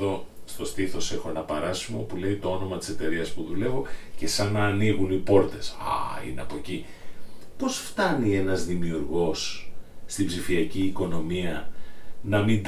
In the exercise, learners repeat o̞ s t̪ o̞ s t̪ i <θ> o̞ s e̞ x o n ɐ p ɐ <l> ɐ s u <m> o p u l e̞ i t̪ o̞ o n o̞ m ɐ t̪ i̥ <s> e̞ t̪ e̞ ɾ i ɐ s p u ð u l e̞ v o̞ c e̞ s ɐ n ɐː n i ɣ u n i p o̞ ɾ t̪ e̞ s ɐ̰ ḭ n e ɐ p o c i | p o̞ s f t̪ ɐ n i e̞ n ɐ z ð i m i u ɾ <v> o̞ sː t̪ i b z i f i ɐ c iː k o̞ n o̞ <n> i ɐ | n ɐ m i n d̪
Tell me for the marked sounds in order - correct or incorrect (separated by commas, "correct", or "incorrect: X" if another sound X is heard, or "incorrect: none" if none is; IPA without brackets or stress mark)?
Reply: correct, incorrect: ɾ, correct, correct, incorrect: ɣ, incorrect: m